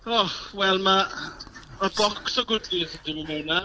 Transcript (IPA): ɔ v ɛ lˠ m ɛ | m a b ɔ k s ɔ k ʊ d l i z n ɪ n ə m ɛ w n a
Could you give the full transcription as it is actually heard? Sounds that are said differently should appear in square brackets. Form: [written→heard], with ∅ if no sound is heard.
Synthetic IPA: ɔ [v→w] ɛ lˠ m [ɛ→a] | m a b ɔ k s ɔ [k→ɡ] ʊ d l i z [n→d] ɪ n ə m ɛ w n a

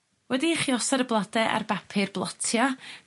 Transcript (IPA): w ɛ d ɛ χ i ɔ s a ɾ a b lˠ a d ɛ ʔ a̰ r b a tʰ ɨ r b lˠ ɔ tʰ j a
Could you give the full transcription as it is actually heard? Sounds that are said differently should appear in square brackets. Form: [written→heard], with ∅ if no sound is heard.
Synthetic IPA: w ɛ d [ɛ→i] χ i ɔ s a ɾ [a→ə] b lˠ a d ɛ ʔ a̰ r b a [tʰ→pʰ] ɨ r b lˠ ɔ tʰ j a

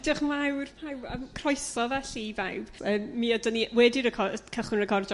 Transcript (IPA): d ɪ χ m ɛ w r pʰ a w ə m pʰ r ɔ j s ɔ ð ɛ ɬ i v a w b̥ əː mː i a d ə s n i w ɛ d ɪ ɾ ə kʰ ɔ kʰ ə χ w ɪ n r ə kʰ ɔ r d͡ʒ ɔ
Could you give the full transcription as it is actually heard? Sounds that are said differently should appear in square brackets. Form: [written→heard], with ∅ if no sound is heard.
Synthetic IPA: d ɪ χ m [ɛ→a] w r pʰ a w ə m [pʰ→kʰ] r ɔ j s ɔ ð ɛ ɬ i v a w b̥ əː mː i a d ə [s→∅] n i w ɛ d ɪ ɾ ə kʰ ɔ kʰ ə χ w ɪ n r ə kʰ ɔ r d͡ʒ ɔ

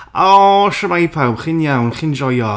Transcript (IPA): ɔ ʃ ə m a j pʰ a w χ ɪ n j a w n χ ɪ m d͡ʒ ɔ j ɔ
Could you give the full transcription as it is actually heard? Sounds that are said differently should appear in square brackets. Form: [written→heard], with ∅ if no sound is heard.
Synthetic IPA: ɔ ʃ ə m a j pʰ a w χ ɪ n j a w n χ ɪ [m→n] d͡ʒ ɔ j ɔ

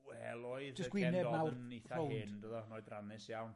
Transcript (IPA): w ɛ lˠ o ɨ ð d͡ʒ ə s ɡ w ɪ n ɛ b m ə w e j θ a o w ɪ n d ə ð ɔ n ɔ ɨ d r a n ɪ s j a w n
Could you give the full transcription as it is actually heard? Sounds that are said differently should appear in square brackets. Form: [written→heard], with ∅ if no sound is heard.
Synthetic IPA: w ɛ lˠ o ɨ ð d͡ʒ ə s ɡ w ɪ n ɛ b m [ə→a] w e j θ a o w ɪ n d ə ð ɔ n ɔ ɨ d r a n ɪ s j a w n

